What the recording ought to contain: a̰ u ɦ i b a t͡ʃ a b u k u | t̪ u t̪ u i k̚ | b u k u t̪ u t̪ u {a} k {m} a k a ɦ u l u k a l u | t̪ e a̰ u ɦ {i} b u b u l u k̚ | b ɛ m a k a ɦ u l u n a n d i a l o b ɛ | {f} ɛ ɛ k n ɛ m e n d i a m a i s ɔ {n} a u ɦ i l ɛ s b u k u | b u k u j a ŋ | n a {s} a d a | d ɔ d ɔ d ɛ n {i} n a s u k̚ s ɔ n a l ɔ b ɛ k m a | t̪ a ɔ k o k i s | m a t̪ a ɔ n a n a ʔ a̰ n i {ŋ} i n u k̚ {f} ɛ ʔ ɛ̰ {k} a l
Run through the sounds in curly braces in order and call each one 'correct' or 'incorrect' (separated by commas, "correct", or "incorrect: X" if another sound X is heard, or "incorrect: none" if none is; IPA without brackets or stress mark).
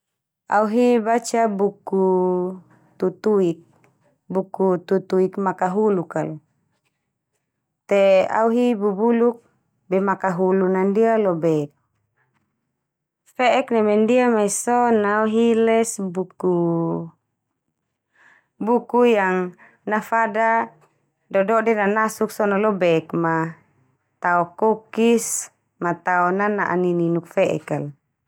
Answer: incorrect: i, correct, correct, correct, correct, incorrect: f, incorrect: a, incorrect: n, correct, correct